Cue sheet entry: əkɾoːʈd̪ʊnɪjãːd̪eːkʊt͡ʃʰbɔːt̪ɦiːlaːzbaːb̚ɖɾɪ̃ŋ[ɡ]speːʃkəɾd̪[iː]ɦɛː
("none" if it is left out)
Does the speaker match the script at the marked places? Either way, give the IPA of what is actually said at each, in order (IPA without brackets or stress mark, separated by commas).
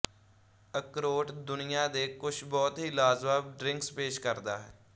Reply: k, aː